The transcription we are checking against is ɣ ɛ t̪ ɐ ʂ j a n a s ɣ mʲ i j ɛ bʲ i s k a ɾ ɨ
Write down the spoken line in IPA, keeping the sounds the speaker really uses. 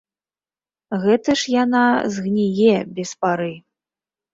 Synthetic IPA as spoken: ɣ ɛ t̪ ɐ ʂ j a n a z ɣ nʲ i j ɛ bʲ ɛ s p a ɾ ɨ